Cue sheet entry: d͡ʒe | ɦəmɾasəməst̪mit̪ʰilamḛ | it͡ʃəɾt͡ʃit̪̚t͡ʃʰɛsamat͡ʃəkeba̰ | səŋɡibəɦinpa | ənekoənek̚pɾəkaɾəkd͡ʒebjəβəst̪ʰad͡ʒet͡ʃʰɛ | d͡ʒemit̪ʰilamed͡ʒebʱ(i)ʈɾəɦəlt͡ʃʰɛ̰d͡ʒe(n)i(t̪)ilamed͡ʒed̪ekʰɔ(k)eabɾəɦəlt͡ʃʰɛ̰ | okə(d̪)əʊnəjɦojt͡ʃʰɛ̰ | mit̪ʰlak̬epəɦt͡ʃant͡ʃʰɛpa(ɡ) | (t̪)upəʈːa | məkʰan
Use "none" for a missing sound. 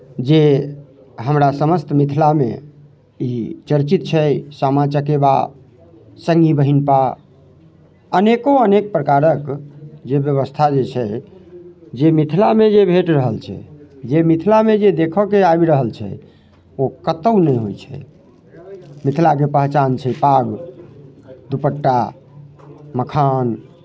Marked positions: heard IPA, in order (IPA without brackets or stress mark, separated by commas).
e, m, t̪ʰ, k, t̪, ɡ, d̪